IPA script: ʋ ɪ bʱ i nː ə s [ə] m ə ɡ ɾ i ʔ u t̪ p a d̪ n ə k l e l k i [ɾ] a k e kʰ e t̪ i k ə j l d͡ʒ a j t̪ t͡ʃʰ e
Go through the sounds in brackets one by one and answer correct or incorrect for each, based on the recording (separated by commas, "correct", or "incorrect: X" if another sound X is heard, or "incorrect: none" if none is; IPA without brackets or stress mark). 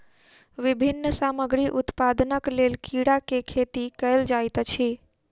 incorrect: a, incorrect: ɽ